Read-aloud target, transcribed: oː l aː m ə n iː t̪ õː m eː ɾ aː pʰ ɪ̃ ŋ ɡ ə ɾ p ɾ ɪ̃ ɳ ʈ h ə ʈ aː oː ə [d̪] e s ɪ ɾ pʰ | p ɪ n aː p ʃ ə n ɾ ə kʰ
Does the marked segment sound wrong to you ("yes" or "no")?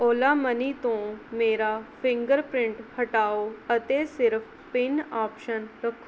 yes